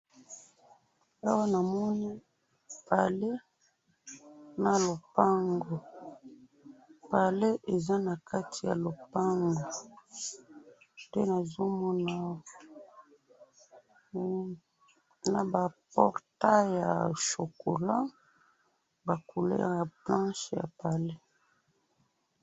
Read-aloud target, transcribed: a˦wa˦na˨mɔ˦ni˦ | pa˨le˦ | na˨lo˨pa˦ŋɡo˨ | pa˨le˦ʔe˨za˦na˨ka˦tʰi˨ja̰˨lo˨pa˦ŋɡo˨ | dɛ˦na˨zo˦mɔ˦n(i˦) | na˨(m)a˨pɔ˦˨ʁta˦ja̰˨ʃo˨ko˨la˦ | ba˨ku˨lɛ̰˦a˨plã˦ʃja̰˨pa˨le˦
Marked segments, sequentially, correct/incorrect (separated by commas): incorrect, incorrect